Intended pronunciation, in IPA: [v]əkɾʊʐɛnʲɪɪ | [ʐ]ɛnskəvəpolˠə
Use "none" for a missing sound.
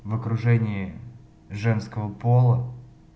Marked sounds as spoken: v, ʐ

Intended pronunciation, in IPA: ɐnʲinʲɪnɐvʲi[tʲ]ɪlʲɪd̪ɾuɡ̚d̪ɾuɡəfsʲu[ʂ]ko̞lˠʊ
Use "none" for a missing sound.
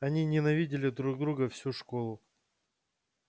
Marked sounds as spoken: dʲ, ʂ

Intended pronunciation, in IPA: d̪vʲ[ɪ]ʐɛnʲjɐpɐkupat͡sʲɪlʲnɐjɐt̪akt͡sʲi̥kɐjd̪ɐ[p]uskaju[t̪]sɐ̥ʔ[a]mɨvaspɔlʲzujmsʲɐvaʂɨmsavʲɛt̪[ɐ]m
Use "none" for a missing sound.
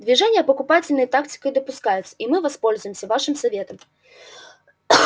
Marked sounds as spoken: i, p, t̪, i, ɐ

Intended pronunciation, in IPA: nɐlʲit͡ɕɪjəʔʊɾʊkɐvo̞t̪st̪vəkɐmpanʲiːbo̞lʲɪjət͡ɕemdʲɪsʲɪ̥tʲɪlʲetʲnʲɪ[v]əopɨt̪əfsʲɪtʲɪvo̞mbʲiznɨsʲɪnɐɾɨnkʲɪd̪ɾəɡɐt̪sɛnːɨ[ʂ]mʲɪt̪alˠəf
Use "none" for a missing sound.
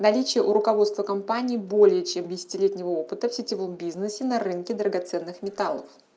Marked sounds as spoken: v, x

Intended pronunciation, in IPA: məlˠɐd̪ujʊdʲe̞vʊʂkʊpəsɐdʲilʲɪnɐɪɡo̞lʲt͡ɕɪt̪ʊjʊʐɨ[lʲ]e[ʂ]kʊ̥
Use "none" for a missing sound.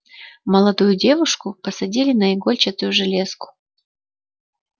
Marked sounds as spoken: lʲ, s

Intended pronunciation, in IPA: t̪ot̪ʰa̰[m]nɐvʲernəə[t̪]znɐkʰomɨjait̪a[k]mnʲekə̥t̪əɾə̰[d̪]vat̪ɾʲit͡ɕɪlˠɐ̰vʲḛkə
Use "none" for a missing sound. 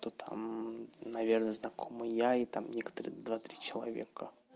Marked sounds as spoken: m, none, none, d̪

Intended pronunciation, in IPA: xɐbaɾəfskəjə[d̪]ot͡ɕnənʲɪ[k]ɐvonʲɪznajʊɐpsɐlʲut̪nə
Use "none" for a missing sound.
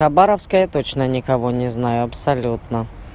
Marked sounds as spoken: t̪, k

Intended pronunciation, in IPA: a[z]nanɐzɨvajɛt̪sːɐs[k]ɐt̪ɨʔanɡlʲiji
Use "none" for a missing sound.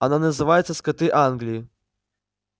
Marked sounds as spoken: none, k

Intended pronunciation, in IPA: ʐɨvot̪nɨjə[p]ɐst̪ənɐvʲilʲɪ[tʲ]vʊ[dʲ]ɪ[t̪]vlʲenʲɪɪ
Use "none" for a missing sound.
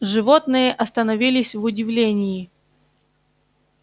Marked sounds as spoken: ʔ, sʲ, dʲ, none

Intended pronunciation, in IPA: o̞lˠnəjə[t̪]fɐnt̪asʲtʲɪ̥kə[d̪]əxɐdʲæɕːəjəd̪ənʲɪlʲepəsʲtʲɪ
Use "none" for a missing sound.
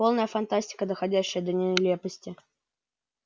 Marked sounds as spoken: none, d̪

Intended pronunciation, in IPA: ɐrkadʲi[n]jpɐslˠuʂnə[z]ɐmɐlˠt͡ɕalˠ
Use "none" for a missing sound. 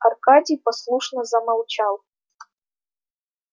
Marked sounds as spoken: none, z

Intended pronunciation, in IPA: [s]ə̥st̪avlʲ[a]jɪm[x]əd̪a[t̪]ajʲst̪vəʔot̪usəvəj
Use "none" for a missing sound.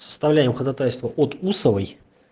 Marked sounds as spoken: s, æ, x, t̪

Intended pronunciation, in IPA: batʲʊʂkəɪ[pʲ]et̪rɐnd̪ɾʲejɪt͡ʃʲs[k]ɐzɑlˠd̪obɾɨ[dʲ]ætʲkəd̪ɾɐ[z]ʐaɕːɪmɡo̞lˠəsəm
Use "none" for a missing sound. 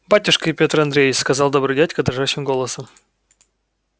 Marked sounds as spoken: pʲ, k, dʲ, none

